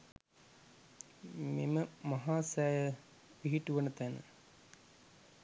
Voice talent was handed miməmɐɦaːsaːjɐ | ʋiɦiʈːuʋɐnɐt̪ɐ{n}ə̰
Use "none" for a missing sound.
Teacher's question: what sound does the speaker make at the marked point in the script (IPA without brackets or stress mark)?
n